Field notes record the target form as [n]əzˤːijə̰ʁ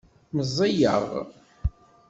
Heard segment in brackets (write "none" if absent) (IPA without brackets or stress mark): m